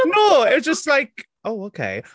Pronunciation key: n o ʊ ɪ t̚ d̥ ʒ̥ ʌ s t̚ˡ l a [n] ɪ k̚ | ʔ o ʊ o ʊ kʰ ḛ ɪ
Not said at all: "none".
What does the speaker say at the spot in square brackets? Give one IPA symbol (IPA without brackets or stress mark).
none